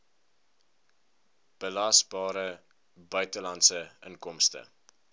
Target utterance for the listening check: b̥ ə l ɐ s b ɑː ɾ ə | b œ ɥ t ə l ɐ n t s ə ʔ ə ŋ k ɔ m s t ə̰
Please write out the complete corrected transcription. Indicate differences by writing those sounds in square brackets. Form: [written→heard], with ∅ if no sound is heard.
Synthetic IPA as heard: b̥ ə l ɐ s b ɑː ɾ ə | b œ ɥ t ə l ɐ n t s ə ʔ ə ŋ k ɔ m s t ə̰